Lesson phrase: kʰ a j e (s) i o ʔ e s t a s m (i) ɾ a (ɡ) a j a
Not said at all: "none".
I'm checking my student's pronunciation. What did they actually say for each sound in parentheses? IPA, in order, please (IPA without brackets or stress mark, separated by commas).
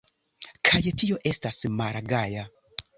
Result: t, a, ɡ